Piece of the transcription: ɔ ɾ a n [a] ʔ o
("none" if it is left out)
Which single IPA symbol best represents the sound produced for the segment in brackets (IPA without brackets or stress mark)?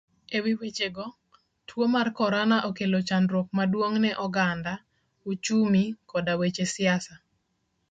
a